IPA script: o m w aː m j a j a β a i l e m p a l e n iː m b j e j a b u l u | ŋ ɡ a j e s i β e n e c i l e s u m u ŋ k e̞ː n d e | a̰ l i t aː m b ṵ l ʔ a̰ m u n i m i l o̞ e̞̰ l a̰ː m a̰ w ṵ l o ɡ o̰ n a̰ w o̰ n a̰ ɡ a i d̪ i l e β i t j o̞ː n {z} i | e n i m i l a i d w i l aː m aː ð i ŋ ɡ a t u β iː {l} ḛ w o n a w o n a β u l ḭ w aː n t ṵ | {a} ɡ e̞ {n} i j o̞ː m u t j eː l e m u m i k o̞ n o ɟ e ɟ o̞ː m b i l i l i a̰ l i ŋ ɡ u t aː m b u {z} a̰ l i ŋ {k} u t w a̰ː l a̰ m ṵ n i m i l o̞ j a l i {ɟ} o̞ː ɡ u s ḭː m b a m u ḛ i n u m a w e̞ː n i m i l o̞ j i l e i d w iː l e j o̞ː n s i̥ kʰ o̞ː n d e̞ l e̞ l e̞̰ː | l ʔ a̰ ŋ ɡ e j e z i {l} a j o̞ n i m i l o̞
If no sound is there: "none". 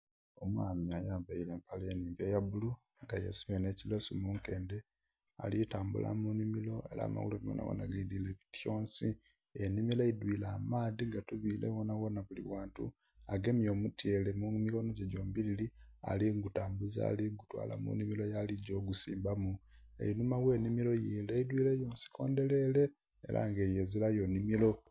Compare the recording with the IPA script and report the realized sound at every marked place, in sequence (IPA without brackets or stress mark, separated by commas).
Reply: s, l, a, m, z, ɡ, ɟ, l